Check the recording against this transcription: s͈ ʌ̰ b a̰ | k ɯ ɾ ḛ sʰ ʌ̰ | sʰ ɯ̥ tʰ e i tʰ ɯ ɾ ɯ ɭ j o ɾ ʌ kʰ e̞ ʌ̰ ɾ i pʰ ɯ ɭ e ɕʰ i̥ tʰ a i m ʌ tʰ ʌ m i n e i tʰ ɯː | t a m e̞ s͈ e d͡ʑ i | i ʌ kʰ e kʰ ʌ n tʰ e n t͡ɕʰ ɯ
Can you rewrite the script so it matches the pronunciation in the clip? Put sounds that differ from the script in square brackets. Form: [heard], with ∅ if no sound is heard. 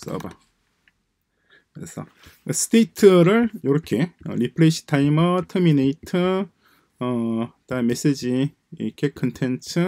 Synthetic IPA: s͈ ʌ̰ b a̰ | k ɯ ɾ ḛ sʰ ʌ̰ | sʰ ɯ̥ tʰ e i tʰ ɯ ɾ ɯ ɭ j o ɾ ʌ kʰ e̞ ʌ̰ ɾ i pʰ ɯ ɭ e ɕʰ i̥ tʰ a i m ʌ tʰ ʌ m i n e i tʰ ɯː | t a m e̞ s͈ e d͡ʑ i | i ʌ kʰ e kʰ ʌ n tʰ e n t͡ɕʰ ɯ